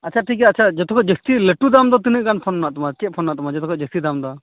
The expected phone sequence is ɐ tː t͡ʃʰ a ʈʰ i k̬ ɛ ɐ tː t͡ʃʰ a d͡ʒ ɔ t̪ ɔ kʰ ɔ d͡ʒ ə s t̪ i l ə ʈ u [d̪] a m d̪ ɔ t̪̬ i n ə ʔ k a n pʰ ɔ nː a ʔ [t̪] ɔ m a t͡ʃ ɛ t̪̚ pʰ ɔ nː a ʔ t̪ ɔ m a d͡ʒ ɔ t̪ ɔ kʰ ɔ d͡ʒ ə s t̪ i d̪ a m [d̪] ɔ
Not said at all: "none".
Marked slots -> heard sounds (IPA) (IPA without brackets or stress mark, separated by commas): d̪, t̪, d̪